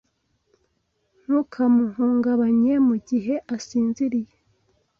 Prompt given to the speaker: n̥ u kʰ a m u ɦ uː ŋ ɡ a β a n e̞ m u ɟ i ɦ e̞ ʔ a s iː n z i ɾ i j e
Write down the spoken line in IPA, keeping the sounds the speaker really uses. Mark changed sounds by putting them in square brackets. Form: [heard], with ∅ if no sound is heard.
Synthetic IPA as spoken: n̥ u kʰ a m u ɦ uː ŋ ɡ a β a [ɲ] e̞ m u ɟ i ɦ e̞ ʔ a s iː n z i ɾ i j e